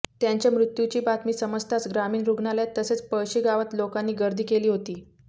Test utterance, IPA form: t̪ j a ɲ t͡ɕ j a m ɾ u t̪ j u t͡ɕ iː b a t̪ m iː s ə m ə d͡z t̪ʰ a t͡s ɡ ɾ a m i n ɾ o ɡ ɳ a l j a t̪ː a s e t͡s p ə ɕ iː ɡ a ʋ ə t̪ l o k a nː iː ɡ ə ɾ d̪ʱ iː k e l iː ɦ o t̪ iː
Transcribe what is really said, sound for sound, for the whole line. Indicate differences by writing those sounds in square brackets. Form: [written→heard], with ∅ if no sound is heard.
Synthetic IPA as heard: t̪ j a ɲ t͡ɕ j a m ɾ u t̪ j u t͡ɕ iː b a t̪ m iː s ə m ə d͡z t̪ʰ a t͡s ɡ ɾ a m [i→iː] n ɾ [o→u] ɡ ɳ a l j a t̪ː [a→ə] s e t͡s p ə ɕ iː ɡ a ʋ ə t̪ l o k a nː iː ɡ ə ɾ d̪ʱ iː k e l iː ɦ o t̪ iː

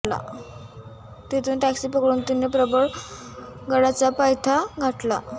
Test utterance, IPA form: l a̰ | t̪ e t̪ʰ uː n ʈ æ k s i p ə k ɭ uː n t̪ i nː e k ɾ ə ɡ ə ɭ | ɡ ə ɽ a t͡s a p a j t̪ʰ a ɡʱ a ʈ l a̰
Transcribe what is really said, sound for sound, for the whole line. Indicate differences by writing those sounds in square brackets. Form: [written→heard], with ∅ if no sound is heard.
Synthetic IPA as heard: l a̰ | t̪ e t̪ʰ uː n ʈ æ k s i p ə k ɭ uː n t̪ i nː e [k→p] ɾ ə [ɡ→b] ə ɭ | ɡ ə ɽ a t͡s a p a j t̪ʰ a ɡʱ a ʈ l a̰

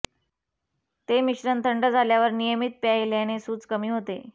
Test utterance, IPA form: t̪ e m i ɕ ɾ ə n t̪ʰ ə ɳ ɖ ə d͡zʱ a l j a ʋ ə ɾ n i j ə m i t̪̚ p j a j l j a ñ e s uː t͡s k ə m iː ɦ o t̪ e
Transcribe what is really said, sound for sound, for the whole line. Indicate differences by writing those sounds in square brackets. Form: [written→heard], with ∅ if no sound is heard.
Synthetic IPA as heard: t̪ e m i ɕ ɾ ə n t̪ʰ ə ɳ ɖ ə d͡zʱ a l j a ʋ ə ɾ n i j ə m i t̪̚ p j a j l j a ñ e s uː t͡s k ə m iː ɦ o t̪ e

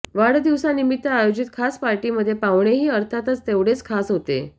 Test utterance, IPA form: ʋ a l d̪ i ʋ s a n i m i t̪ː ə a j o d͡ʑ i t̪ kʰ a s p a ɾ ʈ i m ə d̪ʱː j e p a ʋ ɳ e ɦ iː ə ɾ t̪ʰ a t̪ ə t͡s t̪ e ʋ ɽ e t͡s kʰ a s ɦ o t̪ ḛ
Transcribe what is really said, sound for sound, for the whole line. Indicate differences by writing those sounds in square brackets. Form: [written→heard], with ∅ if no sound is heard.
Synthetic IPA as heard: ʋ a [l→ɽ] d̪ i ʋ s a n i m i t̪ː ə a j o d͡ʑ i t̪ kʰ a s p a ɾ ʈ i m ə d̪ʱː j e p a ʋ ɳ e ɦ iː ə ɾ t̪ʰ a t̪ ə t͡s t̪ e ʋ ɽ e t͡s kʰ a s ɦ o t̪ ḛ

